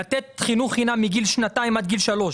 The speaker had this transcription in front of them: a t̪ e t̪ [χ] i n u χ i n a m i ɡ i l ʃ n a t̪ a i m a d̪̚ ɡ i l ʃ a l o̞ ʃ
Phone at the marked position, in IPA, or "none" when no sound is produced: χ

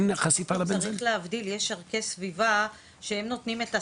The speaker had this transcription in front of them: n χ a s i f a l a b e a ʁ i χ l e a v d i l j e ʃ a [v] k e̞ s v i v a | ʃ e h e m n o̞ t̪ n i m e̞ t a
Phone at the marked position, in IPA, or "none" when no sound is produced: ʁ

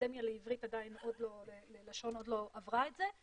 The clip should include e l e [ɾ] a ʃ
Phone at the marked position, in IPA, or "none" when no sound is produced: l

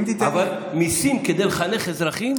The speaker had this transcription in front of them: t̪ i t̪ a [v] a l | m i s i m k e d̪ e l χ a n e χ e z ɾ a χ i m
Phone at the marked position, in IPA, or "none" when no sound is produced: v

